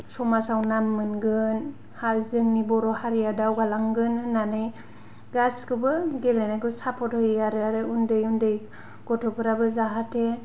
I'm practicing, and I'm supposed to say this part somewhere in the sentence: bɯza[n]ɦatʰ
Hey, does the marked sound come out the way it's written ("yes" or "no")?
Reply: no